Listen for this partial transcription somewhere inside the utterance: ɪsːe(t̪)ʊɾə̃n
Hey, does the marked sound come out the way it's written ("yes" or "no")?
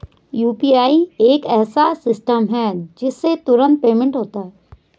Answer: yes